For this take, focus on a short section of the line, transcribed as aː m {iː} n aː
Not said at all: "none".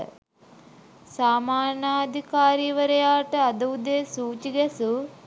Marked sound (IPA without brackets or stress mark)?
aː